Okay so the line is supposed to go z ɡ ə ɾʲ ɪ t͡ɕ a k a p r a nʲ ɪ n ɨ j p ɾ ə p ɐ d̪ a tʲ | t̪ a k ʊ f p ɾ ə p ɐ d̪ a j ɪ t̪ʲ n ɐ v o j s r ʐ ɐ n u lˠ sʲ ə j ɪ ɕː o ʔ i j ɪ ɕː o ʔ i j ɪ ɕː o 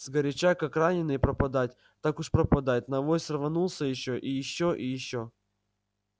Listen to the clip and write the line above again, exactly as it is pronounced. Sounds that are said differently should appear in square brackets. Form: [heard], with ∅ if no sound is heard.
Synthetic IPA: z ɡ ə ɾʲ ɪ t͡ɕ a k a [k] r a nʲ ɪ n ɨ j p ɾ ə p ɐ d̪ a tʲ | t̪ a k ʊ [ʂ] p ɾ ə p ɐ d̪ a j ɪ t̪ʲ n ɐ v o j s r [v] ɐ n u lˠ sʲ ə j ɪ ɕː o ʔ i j ɪ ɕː o ʔ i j ɪ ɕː o